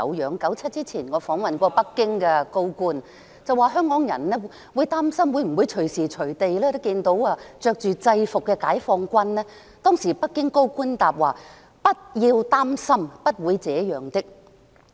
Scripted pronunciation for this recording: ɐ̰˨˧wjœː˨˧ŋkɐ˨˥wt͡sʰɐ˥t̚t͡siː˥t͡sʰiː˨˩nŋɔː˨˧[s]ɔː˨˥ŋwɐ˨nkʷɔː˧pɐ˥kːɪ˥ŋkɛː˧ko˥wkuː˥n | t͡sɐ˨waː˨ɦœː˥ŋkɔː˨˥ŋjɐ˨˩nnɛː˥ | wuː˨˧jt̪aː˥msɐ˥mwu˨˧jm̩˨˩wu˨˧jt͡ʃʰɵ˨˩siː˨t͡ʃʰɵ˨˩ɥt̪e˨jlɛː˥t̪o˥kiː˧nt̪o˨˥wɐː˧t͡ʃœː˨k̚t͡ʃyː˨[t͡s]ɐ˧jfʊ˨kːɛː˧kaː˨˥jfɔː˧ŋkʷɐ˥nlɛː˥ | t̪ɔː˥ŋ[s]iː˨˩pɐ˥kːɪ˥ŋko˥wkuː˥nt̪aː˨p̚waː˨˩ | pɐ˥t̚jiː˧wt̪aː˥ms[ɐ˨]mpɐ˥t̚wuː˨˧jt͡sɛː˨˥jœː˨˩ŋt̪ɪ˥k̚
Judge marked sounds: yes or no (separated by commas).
no, yes, yes, no